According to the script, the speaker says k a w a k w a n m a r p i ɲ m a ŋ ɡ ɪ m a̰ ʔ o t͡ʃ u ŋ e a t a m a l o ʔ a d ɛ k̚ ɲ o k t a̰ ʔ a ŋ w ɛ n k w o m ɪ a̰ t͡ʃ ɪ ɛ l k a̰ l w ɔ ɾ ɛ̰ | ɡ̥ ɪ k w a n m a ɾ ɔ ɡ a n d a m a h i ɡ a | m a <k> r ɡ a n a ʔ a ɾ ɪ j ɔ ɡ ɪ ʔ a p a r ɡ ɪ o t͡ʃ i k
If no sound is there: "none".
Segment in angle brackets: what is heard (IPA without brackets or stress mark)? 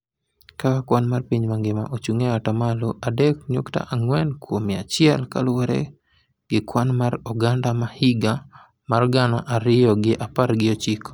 none